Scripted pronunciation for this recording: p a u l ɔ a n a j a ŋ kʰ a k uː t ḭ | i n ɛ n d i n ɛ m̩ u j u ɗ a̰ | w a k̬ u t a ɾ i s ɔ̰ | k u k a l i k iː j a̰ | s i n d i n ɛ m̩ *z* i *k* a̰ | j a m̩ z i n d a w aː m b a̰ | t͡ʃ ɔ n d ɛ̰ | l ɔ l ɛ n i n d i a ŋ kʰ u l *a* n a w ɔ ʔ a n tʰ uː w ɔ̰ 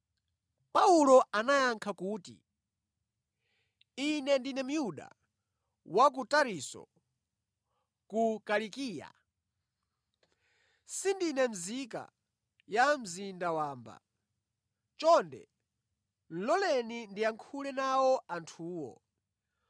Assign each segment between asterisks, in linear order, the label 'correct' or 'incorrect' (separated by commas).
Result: correct, correct, incorrect